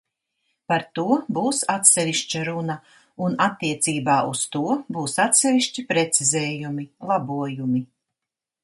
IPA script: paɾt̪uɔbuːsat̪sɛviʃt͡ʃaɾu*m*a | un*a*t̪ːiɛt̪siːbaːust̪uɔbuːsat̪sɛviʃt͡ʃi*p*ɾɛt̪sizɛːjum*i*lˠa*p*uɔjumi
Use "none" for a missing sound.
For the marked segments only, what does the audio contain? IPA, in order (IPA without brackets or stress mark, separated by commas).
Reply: n, a, p, i, b